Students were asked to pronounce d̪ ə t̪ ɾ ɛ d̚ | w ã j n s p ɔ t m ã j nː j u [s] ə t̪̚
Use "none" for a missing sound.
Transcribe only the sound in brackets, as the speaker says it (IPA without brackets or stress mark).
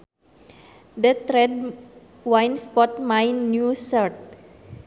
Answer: s